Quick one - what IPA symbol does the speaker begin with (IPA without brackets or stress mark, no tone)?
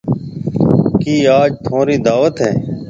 k